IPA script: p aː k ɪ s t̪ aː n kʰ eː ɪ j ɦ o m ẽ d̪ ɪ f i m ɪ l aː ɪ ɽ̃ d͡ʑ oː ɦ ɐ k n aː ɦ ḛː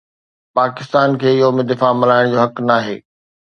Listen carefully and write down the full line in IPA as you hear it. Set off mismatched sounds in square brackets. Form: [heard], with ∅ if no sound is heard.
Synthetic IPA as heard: p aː k ɪ s t̪ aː n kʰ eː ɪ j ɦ o m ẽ d̪ ɪ f [a] m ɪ l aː ɪ ɽ̃ d͡ʑ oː ɦ ɐ k n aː ɦ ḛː